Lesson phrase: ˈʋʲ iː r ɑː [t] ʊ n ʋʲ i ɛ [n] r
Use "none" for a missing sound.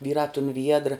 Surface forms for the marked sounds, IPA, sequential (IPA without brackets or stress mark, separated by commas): t, d